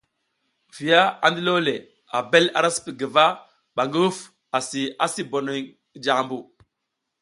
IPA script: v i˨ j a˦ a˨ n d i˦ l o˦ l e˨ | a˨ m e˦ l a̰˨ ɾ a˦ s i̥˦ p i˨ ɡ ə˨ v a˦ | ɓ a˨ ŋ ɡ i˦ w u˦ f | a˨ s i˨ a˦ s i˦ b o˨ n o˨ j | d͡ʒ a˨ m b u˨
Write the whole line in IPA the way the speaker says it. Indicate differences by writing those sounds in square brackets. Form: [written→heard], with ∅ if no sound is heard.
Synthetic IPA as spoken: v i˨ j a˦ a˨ n d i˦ l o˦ l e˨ | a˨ [m→b] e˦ l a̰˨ ɾ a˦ s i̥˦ p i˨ ɡ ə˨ v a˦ | ɓ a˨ ŋ ɡ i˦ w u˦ f | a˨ s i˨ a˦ s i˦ b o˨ n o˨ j | d͡ʒ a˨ m b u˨